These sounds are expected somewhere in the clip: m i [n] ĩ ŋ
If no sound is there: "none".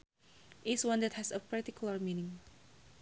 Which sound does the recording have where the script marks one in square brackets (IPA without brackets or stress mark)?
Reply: n